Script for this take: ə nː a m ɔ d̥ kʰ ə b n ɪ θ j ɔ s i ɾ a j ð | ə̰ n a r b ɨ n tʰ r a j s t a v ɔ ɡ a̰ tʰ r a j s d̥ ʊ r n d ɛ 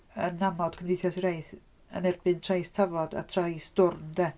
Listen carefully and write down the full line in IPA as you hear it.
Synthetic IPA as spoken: ə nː a m ɔ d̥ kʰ ə m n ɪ θ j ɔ s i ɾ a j θ | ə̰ n ɛ r b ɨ n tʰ r a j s tʰ a v ɔ d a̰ tʰ r a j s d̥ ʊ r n d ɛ